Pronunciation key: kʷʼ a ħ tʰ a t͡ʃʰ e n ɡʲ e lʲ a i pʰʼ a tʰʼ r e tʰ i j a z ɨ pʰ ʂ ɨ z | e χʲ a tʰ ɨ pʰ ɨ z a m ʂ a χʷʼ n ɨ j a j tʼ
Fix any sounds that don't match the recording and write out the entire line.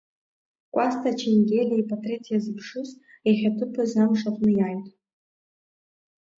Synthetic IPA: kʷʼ a s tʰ a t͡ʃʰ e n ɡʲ e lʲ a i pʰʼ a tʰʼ r e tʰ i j a z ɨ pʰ ʂ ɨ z | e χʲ a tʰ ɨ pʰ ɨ z a m ʂ a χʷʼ n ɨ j a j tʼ

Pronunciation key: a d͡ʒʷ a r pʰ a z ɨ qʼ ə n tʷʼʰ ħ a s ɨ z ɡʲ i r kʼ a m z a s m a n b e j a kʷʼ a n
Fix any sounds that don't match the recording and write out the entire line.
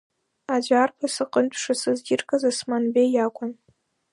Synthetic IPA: a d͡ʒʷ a r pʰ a s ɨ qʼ ə n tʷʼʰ ʂ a s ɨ z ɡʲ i r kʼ a z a s m a n b e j a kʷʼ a n

